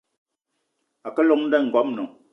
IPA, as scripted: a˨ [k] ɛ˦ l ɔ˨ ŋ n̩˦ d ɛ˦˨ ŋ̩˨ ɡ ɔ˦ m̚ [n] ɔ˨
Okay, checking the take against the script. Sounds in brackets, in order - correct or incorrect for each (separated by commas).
correct, correct